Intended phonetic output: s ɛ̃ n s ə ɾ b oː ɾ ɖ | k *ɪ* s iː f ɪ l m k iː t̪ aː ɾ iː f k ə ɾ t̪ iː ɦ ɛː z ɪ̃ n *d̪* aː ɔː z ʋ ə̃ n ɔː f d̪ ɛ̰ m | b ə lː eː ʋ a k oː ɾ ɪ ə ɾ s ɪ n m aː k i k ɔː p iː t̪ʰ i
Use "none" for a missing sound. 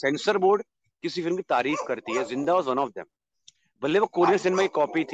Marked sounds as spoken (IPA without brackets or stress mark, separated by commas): ɪ, d̪